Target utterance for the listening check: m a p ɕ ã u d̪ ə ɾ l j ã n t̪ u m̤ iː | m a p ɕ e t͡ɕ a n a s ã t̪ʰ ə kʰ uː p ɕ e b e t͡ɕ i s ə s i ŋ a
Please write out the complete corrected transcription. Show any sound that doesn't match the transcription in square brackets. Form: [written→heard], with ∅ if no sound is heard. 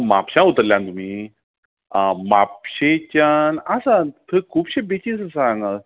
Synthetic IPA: m a p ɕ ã u [d̪→t̪] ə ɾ l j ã n t̪ u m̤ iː | m a p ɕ e t͡ɕ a n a s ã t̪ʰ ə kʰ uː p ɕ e b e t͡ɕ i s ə s [i→a] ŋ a